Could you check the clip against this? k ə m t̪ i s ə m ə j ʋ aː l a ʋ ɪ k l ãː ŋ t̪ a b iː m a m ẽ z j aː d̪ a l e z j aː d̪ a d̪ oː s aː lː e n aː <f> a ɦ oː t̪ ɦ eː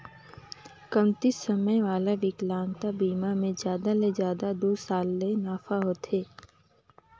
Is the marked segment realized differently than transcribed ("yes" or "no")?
no